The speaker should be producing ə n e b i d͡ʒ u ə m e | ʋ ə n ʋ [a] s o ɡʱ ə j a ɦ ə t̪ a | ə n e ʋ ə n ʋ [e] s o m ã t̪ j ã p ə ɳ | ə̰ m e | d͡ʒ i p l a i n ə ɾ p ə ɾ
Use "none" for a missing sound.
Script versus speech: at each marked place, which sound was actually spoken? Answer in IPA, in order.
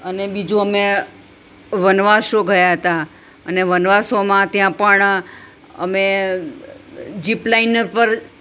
a, a

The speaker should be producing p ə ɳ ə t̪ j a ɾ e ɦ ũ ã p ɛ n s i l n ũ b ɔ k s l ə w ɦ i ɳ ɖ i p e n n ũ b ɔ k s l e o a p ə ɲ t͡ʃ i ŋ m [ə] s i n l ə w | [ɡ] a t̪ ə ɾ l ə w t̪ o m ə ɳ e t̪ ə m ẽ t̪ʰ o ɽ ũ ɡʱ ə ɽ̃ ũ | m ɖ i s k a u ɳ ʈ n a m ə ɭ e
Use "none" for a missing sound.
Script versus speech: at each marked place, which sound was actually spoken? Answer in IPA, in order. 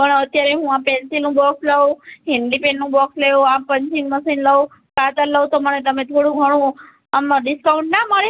ə, k

